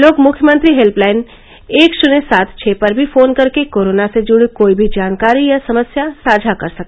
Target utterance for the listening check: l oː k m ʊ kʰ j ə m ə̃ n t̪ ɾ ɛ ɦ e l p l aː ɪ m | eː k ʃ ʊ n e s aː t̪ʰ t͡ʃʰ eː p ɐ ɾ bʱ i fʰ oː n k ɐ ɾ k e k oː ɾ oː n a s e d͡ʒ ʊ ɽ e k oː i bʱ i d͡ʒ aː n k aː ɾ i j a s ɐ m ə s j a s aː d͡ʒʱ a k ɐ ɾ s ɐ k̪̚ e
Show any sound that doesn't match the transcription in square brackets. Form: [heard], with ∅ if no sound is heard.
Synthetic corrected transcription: l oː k m ʊ kʰ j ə m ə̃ n t̪ ɾ [i] ɦ e l p l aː ɪ [n] | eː k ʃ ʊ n e s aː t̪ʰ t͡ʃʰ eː p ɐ ɾ bʱ i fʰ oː n k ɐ ɾ k e k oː ɾ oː n a s e d͡ʒ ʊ ɽ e k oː i bʱ i d͡ʒ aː n k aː ɾ i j a s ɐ m ə s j a s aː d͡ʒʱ a k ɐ ɾ s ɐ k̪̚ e